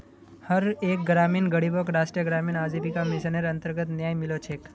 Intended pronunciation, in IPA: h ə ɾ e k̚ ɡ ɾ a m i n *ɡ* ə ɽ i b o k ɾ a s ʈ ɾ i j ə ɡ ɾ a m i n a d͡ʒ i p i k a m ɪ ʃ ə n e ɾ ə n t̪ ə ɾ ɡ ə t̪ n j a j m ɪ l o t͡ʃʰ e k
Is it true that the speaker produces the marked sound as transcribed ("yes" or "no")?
yes